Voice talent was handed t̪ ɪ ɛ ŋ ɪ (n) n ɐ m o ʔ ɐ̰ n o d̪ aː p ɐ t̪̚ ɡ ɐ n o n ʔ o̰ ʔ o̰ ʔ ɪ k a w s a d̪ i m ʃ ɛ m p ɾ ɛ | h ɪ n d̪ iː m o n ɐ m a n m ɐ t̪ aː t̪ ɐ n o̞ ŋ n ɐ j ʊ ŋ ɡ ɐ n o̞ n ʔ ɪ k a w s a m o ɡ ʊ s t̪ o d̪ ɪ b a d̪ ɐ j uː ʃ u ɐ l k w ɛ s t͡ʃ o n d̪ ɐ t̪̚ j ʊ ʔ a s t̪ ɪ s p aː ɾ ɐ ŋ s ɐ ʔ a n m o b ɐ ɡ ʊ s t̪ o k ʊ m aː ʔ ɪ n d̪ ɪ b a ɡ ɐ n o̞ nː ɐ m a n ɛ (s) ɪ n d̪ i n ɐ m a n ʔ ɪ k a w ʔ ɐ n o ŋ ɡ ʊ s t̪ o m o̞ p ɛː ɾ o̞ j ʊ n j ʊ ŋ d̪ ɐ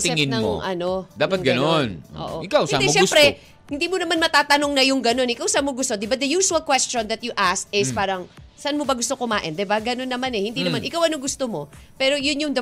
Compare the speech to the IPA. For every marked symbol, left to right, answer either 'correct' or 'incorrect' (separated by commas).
correct, incorrect